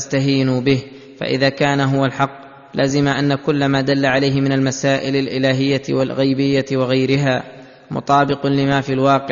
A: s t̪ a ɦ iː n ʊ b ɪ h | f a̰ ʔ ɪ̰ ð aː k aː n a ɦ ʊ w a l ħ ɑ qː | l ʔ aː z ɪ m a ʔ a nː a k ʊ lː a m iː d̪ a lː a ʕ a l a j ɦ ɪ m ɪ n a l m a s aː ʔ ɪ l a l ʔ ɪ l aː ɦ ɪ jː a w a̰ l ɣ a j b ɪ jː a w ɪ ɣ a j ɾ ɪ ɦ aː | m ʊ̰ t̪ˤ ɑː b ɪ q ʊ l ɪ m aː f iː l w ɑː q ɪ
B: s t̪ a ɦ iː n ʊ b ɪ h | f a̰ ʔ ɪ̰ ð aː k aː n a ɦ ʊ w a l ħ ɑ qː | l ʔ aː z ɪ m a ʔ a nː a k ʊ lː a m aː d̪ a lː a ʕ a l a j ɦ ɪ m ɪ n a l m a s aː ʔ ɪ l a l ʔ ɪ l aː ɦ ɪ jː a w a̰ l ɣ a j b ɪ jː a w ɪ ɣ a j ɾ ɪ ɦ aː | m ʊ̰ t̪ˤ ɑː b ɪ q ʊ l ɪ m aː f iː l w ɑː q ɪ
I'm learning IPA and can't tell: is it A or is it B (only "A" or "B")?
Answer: B